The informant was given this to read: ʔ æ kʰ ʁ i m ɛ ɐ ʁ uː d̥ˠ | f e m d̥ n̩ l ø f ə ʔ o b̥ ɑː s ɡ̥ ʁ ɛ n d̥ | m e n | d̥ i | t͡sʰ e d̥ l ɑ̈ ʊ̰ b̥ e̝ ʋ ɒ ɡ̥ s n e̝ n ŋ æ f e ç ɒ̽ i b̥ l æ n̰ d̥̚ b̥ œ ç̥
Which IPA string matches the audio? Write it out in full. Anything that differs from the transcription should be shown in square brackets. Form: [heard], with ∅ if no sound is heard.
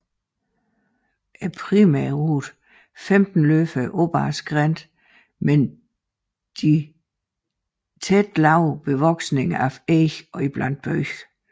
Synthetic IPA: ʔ æ [pʰ] ʁ i m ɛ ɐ ʁ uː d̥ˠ | f e m d̥ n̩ l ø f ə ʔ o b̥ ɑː s ɡ̥ ʁ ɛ n d̥ | m e n | d̥ i | t͡sʰ e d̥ l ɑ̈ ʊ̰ b̥ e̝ ʋ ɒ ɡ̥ s n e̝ [∅] ŋ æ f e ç ɒ̽ i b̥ l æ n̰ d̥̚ b̥ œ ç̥